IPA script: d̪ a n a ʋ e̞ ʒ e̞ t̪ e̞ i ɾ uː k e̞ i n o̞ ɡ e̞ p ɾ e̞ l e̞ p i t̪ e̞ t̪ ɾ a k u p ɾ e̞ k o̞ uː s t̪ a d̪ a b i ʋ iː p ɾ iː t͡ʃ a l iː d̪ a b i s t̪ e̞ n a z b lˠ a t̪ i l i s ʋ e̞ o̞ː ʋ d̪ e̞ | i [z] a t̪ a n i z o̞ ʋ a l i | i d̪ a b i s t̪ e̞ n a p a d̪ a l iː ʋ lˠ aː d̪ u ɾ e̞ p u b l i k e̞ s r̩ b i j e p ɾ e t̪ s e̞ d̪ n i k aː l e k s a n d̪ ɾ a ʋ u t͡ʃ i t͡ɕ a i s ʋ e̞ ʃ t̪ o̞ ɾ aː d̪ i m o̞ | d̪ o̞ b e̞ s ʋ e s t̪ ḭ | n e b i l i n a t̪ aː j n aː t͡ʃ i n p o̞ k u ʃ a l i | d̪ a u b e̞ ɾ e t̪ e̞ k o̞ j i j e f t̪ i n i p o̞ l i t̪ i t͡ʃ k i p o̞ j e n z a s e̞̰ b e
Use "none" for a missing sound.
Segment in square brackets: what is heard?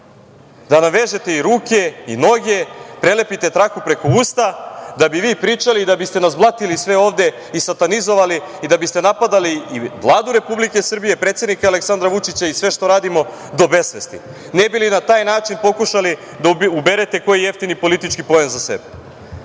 s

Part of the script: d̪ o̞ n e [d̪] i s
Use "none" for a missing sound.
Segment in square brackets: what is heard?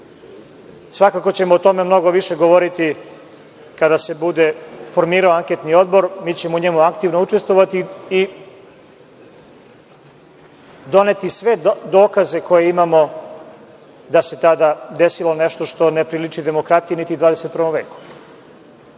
t̪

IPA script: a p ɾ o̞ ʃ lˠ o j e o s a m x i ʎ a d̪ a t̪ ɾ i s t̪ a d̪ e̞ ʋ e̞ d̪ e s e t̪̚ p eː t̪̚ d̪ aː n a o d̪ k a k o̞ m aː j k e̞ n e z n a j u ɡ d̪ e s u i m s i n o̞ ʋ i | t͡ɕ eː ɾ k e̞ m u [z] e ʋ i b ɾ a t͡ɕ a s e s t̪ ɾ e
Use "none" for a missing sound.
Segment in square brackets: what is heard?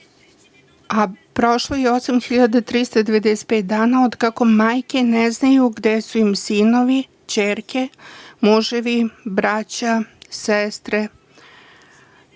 ʒ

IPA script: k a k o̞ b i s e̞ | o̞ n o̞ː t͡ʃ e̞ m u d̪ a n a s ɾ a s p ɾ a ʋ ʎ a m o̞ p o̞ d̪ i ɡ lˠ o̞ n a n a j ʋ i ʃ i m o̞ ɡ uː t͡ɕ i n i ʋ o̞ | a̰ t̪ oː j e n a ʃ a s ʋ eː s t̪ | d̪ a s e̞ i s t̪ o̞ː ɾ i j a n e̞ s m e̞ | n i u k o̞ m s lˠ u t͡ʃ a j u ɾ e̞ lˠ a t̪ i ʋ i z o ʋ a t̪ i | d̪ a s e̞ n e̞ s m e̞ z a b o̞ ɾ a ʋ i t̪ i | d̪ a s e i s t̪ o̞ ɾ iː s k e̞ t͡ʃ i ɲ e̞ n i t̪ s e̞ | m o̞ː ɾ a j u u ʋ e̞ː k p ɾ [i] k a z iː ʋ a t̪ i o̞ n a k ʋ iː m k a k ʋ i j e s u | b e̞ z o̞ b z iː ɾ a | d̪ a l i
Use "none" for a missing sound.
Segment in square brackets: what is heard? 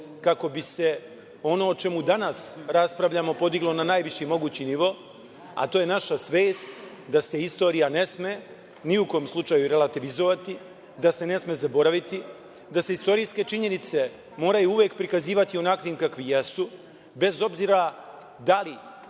i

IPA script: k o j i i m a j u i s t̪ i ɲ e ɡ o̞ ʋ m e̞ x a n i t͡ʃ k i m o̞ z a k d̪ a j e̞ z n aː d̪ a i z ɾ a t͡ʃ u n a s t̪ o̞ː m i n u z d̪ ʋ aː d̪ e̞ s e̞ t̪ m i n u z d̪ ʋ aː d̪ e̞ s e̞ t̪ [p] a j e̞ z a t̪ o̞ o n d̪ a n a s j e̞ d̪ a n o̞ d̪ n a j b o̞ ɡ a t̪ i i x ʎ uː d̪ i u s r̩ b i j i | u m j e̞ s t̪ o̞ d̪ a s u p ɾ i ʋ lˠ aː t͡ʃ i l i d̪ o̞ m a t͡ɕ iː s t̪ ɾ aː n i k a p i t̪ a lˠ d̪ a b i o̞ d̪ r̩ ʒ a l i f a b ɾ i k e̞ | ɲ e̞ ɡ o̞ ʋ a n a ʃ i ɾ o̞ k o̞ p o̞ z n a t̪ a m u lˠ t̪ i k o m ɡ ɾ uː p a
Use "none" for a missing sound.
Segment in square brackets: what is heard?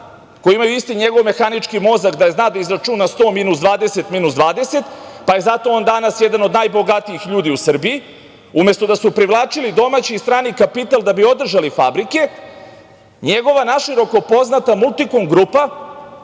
p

